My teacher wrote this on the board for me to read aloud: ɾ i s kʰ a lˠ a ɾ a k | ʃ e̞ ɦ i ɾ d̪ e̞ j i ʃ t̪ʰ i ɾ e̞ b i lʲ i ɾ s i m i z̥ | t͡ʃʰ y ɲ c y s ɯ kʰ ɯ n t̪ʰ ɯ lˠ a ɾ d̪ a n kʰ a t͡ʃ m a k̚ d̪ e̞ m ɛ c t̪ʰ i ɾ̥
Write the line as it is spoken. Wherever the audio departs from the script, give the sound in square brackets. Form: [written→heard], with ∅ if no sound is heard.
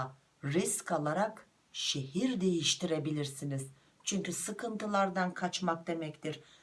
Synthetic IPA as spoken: ɾ i s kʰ a lˠ a ɾ a k | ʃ e̞ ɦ i ɾ d̪ e̞ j i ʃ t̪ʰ i ɾ e̞ b i lʲ i ɾ s i [m→n] i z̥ | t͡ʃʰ y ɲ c y s ɯ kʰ ɯ n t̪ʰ ɯ lˠ a ɾ d̪ a n kʰ a t͡ʃ m a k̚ d̪ e̞ m ɛ c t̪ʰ i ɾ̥